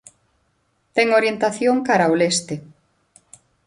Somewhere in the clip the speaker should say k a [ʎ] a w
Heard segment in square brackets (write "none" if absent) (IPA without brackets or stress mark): ɾ